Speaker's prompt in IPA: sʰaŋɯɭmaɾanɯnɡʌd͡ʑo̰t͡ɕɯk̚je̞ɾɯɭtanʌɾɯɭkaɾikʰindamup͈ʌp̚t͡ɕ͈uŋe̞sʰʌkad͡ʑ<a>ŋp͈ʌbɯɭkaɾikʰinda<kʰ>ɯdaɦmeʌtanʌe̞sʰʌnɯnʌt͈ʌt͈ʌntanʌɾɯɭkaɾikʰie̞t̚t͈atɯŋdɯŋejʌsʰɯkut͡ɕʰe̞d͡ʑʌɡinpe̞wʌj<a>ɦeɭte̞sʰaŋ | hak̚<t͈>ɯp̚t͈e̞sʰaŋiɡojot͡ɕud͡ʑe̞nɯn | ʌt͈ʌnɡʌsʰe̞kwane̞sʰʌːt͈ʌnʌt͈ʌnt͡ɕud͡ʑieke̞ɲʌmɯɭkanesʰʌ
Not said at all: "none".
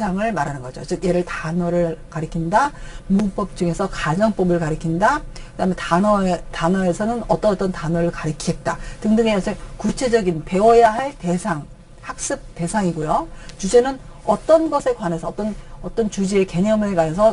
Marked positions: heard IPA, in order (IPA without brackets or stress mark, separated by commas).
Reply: ʌ, k, a, s͈